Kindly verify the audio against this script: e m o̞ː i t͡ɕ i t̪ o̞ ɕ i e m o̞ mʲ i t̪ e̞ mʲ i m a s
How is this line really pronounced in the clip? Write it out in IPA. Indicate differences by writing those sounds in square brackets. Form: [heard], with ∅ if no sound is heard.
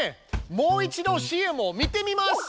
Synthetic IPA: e m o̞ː i t͡ɕ i [d̪] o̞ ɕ i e m o̞ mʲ i t̪ e̞ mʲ i m a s